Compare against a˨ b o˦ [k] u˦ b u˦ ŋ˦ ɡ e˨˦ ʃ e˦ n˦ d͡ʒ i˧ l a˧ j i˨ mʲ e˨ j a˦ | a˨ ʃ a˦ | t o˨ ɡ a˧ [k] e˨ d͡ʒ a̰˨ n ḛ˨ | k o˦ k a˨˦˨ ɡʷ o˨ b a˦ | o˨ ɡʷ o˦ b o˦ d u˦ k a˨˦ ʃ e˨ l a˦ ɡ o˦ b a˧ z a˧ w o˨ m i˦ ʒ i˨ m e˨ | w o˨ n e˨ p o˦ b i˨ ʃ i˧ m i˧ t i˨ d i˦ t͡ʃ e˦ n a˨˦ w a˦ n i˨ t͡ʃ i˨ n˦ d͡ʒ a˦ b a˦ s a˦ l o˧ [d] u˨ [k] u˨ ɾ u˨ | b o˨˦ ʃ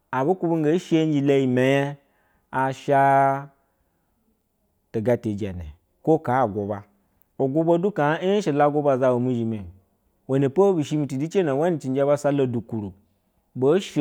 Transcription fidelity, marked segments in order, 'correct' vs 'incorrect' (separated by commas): correct, incorrect, correct, correct